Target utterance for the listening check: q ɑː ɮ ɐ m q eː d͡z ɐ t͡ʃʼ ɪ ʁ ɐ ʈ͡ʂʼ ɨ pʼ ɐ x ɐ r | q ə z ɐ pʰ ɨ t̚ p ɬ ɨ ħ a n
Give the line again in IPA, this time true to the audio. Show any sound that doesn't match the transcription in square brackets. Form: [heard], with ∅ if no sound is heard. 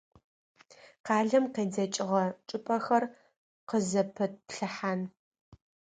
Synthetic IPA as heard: q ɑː ɮ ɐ m q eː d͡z ɐ t͡ʃʼ ɪ ʁ ɐ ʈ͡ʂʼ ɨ pʼ ɐ x ɐ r | q ə z ɐ pʰ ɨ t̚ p ɬ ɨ ħ a n